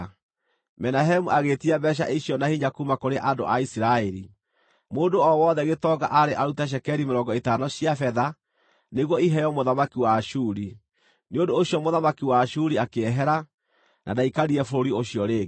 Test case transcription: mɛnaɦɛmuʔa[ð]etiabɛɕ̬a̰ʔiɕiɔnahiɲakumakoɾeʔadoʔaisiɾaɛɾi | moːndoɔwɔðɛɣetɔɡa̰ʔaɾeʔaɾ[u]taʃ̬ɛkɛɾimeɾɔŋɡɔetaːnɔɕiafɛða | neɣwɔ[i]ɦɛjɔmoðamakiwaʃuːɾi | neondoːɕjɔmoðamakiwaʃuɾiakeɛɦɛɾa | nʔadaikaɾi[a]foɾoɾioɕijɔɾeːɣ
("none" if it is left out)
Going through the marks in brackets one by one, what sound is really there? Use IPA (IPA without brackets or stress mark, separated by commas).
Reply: ɣ, u, i, ɛ